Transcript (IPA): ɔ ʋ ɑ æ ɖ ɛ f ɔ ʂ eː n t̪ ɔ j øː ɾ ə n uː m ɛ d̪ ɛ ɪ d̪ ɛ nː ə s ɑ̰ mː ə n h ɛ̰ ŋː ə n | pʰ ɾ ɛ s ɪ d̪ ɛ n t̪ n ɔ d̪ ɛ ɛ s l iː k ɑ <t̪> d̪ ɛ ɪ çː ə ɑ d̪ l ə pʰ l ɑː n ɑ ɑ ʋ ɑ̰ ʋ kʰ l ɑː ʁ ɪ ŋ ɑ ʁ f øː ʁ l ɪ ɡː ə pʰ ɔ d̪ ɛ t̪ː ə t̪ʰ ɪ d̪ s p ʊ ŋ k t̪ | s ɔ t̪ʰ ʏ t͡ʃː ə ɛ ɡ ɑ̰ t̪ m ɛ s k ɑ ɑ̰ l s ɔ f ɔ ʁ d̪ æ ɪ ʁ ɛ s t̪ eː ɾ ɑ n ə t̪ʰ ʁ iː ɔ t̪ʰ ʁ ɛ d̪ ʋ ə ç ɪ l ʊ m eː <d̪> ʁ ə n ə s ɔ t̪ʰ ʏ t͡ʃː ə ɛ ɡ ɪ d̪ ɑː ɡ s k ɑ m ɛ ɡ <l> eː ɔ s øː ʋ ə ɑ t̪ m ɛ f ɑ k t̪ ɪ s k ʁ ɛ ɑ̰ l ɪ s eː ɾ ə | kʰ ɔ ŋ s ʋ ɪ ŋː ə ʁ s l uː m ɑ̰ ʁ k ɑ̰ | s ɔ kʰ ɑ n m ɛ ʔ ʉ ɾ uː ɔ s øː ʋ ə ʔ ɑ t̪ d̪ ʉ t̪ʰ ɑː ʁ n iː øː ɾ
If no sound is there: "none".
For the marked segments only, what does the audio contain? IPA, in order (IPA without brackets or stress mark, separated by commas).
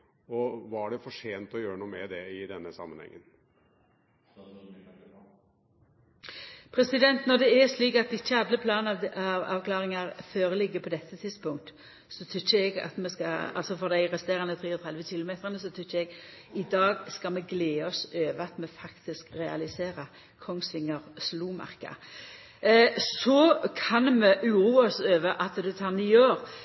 t̪, t̪, l